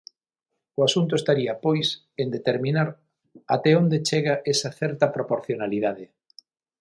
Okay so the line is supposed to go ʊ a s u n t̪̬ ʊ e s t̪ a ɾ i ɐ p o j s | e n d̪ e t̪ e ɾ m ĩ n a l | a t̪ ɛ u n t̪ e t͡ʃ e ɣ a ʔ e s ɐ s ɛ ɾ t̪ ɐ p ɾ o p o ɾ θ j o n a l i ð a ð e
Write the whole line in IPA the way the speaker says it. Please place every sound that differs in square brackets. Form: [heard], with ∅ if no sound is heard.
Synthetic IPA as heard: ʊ a s u n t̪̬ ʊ e s t̪ a ɾ i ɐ p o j s | e n d̪ e t̪ e ɾ m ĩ n a [ɾ] | a t̪ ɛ [o] n [d̪] e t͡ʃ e ɣ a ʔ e s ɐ [θ] ɛ ɾ t̪ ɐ p ɾ o p o ɾ θ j o n a l i ð a ð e